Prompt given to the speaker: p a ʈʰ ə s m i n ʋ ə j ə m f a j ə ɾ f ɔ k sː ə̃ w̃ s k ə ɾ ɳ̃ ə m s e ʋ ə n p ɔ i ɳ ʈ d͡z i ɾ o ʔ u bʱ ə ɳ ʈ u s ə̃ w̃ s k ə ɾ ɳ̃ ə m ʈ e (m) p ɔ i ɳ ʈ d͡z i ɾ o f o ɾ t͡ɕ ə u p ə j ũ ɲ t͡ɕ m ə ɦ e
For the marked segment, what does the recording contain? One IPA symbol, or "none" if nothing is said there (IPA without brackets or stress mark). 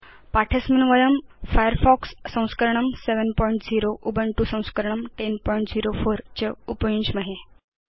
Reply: n